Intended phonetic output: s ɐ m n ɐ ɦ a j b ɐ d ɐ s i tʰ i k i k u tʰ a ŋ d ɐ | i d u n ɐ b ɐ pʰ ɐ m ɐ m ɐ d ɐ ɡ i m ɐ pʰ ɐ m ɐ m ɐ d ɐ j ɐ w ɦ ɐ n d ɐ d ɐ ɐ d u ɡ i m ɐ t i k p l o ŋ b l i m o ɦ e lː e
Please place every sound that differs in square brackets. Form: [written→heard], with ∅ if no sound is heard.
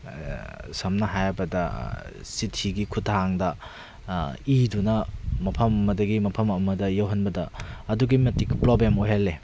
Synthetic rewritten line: s ɐ m n ɐ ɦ a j b ɐ d ɐ s i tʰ i [k→ɡ] i [k→kʰ] u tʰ a ŋ d ɐ | i d u n ɐ [b→m] ɐ pʰ ɐ m ɐ m ɐ d ɐ ɡ i m ɐ pʰ ɐ m ɐ m ɐ d ɐ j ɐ w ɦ ɐ n [d→b] ɐ d ɐ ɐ d u ɡ i m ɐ t i k p [l→ɾ] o [ŋ→∅] b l [i→e] m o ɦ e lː e